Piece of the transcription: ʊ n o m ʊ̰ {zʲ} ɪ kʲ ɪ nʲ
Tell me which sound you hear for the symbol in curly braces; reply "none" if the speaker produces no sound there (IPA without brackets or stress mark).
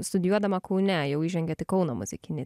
zʲ